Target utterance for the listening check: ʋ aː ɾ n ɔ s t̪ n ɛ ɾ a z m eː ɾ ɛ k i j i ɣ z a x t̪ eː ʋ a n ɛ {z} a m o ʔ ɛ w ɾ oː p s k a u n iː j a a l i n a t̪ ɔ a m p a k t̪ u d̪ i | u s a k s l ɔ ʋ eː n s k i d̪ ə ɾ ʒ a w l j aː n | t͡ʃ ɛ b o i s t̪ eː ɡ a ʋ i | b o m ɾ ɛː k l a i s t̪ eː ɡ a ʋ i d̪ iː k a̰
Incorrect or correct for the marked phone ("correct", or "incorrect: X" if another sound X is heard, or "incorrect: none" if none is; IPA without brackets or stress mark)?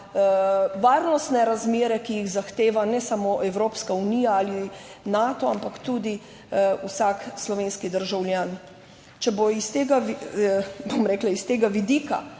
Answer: incorrect: s